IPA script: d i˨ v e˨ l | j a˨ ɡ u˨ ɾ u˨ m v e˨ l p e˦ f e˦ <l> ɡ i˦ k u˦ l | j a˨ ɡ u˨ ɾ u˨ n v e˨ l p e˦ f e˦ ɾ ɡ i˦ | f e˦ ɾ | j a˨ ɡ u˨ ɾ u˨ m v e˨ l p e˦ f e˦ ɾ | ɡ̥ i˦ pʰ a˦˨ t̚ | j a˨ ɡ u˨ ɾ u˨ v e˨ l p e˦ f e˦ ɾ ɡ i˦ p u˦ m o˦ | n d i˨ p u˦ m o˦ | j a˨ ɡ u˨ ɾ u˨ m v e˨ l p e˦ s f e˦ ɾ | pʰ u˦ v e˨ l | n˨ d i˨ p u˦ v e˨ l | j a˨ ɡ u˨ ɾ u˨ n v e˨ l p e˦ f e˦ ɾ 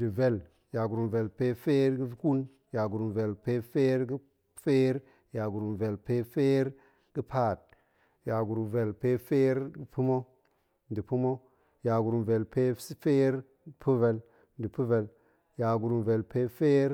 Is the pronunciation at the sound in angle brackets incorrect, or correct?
incorrect